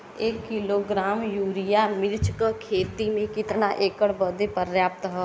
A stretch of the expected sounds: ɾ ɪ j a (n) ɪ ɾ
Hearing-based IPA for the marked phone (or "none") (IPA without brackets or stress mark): m